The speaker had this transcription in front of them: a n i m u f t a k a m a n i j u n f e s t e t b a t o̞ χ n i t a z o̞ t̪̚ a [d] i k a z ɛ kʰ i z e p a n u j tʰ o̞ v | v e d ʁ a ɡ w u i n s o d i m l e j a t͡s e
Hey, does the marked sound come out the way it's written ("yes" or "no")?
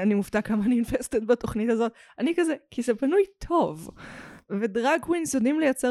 no